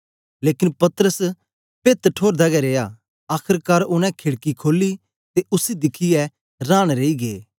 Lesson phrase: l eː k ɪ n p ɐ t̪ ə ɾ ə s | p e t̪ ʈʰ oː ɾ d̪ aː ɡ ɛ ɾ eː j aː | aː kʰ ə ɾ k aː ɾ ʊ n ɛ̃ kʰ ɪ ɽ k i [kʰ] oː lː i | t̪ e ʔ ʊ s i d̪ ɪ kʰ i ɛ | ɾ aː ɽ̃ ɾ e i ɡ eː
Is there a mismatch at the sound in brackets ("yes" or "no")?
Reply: no